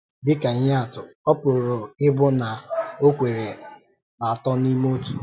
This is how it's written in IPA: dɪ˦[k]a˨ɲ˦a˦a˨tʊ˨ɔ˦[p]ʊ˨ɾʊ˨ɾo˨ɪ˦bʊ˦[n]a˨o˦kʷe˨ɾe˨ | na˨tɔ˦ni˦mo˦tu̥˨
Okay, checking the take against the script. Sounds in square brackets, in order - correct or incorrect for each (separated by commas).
correct, correct, correct